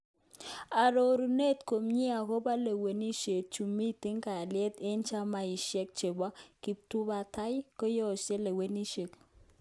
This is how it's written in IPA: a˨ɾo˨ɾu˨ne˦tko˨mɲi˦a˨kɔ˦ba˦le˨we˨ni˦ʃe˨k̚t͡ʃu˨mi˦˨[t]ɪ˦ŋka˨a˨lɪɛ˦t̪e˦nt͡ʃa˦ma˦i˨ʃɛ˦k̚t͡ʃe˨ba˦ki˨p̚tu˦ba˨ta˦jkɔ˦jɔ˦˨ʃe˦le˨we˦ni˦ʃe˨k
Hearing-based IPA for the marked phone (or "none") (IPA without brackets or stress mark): t